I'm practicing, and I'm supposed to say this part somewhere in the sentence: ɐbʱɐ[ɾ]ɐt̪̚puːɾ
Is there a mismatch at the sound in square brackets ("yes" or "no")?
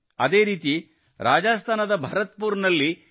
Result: no